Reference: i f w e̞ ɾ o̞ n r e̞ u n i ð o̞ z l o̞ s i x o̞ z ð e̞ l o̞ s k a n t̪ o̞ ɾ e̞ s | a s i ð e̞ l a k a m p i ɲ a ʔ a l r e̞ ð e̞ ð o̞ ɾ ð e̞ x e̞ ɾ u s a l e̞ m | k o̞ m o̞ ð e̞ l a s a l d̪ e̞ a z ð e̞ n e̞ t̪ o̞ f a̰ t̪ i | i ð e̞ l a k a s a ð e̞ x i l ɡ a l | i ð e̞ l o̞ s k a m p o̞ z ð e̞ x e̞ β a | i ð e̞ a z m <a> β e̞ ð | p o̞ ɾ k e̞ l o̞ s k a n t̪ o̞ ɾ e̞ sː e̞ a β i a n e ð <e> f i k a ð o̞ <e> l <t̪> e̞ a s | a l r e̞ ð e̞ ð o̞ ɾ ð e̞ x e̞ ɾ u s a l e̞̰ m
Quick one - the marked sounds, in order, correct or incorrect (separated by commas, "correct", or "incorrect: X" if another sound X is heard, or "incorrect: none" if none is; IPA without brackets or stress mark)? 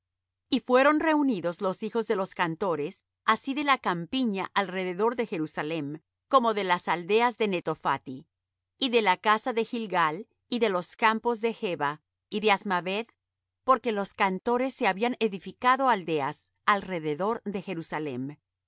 correct, incorrect: i, incorrect: a, incorrect: d̪